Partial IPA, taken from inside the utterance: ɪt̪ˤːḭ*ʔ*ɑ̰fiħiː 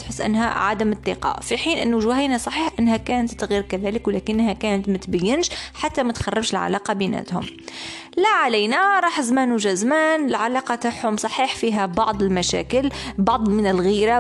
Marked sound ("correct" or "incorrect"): incorrect